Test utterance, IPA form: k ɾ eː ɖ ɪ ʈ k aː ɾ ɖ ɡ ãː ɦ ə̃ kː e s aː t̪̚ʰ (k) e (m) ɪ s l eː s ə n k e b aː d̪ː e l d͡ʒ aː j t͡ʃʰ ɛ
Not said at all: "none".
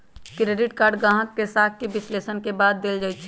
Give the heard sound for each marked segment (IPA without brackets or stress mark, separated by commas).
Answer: k, b